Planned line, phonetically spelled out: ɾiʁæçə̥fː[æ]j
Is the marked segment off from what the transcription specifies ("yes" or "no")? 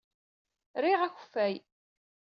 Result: no